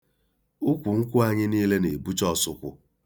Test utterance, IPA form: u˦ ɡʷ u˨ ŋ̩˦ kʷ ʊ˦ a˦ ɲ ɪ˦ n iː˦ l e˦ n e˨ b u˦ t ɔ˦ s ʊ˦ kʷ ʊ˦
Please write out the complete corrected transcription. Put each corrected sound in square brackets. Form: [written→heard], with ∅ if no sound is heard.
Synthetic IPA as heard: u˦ [ɡʷ→kʷ] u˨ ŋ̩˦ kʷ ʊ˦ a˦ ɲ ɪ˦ n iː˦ l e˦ n e˨ b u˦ [t→t͡ʃ] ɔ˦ s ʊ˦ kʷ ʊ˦